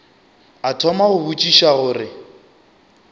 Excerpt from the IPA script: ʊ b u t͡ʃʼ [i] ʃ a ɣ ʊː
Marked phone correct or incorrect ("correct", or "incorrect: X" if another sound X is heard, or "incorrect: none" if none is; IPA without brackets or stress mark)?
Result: correct